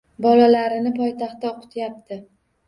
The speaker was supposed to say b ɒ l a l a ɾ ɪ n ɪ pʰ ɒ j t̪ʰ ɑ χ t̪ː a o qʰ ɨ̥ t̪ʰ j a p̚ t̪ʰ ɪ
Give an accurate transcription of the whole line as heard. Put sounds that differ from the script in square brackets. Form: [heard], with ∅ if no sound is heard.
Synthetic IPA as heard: b ɒ l a l a ɾ ɪ n ɪ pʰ ɒ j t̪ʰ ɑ χ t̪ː a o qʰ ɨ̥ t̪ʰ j a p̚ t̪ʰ ɪ